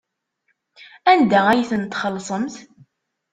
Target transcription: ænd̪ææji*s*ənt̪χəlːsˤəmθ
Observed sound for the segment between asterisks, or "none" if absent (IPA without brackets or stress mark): θ